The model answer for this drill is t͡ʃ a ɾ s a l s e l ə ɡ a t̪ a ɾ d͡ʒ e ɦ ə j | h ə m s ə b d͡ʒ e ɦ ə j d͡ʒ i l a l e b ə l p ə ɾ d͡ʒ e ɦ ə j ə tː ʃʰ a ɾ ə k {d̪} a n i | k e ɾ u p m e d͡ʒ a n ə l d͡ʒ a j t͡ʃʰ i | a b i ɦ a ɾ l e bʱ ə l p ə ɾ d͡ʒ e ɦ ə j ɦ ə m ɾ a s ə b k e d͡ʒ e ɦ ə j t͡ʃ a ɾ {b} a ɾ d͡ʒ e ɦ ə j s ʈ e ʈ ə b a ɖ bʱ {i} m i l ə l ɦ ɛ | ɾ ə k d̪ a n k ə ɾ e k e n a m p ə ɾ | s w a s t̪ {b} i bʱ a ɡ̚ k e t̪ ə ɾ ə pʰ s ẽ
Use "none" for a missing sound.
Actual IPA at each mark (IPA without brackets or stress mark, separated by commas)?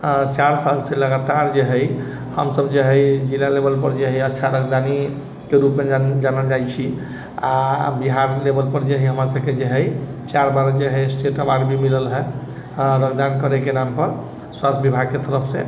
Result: d̪, b, i, b